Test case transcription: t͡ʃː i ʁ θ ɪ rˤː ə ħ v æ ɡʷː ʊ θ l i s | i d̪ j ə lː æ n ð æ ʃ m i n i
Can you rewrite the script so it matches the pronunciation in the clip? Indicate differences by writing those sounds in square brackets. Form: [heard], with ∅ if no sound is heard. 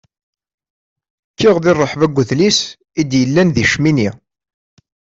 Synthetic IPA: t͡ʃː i ʁ [ð] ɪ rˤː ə ħ v æ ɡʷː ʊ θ l i s | i d̪ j ə lː æ n ð [i] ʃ m i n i